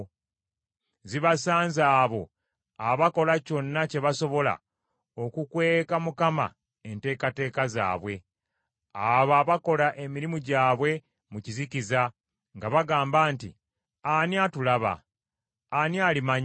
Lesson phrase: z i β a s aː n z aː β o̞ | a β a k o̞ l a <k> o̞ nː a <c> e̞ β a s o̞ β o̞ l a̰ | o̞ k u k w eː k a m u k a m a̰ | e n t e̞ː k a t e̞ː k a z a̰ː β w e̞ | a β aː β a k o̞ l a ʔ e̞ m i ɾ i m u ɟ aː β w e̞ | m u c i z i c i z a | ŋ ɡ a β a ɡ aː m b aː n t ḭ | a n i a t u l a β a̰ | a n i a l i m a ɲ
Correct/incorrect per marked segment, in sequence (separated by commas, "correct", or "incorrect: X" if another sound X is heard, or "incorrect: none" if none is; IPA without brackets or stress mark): incorrect: c, correct